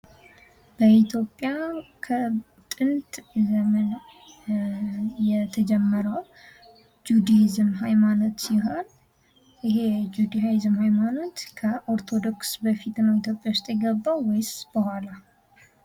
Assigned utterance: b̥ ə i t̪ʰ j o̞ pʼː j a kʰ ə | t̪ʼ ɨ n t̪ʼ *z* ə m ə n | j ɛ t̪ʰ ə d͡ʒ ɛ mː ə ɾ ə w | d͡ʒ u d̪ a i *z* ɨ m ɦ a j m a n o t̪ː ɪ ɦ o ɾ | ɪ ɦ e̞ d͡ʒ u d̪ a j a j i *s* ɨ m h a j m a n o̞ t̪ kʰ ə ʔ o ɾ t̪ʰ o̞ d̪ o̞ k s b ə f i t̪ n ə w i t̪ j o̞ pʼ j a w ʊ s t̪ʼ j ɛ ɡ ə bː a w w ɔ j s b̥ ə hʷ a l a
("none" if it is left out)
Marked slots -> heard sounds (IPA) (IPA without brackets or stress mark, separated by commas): z, z, z